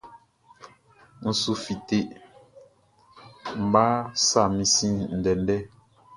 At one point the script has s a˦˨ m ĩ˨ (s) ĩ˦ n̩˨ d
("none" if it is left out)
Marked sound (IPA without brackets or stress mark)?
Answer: s